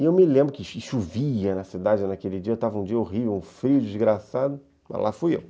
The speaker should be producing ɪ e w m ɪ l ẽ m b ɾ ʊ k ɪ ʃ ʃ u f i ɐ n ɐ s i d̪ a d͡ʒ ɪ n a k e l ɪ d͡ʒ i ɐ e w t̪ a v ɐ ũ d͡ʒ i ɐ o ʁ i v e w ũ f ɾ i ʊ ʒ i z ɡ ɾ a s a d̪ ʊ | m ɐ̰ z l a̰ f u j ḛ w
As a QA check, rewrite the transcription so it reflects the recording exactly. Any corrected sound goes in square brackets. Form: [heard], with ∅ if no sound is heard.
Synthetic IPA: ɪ e w m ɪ l ẽ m b ɾ ʊ k ɪ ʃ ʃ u [v] i ɐ n ɐ s i d̪ a d͡ʒ ɪ n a k e l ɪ d͡ʒ i ɐ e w t̪ a v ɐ ũ d͡ʒ i ɐ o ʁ i v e w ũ f ɾ i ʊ [d͡ʒ] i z ɡ ɾ a s a d̪ ʊ | m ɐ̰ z l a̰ f u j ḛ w